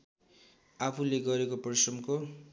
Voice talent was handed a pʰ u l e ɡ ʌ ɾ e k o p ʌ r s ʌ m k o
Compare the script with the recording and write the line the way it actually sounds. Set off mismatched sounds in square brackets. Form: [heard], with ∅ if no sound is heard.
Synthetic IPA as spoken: a pʰ u l e ɡ ʌ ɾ e k o p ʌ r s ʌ m k o